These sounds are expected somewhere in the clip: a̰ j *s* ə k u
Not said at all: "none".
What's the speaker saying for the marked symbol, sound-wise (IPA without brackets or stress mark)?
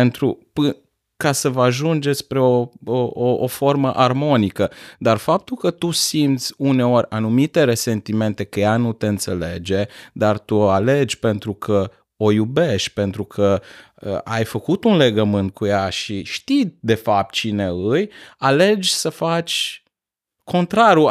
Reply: f